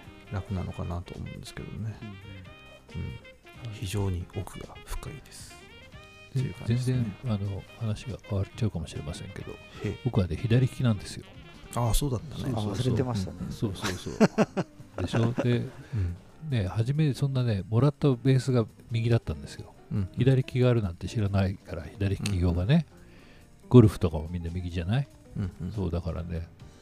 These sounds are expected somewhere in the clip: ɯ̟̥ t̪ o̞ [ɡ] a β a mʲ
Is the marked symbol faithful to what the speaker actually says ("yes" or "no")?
no